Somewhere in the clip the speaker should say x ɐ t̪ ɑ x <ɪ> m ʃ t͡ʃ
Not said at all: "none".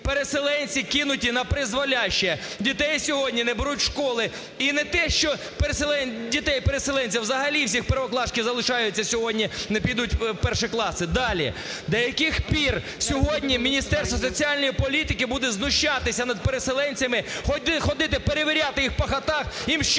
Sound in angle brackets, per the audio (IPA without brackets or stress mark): i